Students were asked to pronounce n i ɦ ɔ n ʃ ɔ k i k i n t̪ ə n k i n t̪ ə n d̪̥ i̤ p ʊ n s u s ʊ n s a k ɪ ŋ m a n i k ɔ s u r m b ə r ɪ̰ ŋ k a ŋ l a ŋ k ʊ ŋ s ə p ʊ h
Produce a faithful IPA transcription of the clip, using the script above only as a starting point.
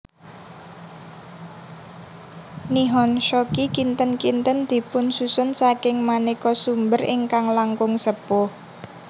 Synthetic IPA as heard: n i ɦ ɔ n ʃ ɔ k i k i n t̪ ə n k i n t̪ ə n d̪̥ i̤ p ʊ n s u s ʊ n s a k ɪ ŋ m a n i k ɔ s u m b ə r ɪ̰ ŋ k a ŋ l a ŋ k ʊ ŋ s ə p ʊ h